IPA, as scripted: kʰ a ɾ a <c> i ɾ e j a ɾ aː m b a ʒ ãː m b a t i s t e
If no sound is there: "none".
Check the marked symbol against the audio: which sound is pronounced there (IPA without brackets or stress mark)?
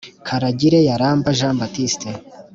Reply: ɟ